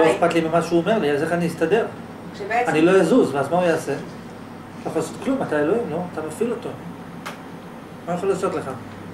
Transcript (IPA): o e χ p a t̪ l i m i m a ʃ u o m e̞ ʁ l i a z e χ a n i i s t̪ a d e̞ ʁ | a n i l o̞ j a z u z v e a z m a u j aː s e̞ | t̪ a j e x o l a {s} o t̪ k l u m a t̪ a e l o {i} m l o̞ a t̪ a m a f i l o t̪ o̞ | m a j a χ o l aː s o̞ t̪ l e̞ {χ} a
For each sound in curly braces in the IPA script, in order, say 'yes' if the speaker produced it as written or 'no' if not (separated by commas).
yes, yes, yes